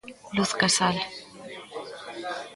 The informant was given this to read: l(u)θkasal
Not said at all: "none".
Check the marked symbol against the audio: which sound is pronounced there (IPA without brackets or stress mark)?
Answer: u